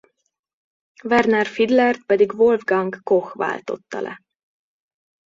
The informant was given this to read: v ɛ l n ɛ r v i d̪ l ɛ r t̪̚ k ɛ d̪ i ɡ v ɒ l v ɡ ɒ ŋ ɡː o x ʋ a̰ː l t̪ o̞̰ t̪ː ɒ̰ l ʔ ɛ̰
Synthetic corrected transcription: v ɛ r n ɛ r f i d̪ l ɛ r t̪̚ p ɛ d̪ i ɡ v o l v ɡ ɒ ŋ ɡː o x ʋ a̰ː l t̪ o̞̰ t̪ː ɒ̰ l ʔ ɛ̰